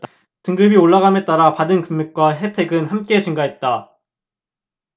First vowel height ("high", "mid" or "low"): high